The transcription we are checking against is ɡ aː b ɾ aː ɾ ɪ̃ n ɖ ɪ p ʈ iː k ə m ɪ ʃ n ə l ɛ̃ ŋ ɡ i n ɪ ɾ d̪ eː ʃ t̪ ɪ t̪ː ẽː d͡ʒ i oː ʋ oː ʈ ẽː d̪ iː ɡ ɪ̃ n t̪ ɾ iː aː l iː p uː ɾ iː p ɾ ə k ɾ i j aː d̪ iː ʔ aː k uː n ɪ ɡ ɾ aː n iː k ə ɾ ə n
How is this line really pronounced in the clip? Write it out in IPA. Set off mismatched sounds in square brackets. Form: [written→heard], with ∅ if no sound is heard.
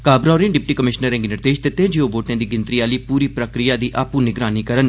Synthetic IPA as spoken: [ɡ→k] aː b ɾ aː ɾ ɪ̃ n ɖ ɪ p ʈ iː k ə m ɪ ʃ n ə [l→ɾ] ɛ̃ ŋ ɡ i n ɪ ɾ d̪ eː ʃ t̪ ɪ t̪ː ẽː d͡ʒ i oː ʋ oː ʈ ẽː d̪ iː ɡ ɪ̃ n t̪ ɾ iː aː l iː p uː ɾ iː p ɾ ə k ɾ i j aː d̪ iː ʔ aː [k→p] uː n ɪ ɡ ɾ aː n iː k ə ɾ ə n